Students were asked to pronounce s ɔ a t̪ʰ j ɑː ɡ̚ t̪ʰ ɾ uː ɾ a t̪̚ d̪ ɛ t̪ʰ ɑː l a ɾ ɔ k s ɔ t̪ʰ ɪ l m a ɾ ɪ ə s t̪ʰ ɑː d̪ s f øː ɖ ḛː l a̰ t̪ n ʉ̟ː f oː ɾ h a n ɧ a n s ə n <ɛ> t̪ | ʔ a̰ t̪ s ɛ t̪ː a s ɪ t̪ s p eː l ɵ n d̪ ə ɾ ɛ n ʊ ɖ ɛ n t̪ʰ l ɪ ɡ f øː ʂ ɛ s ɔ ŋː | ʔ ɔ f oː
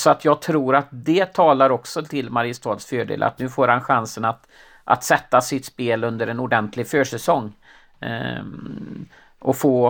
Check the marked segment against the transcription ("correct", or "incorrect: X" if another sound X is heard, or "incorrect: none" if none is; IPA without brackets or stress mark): incorrect: a